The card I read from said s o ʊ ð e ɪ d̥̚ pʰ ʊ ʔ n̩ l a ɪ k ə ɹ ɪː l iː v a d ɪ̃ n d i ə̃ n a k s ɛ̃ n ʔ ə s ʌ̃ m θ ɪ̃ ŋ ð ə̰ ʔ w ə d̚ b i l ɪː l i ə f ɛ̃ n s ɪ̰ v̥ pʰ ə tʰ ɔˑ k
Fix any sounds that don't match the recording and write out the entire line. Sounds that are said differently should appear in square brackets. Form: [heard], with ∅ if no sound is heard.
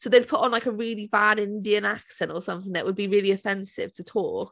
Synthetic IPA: s o ʊ ð e ɪ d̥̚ pʰ ʊ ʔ n̩ l a ɪ k ə ɹ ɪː l [i] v a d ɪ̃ n d i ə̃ n a k s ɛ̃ n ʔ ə s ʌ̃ m θ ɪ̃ ŋ ð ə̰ ʔ w ə d̚ b i [ɹ] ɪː l i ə f ɛ̃ n s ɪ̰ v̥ [tʰ] ə tʰ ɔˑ k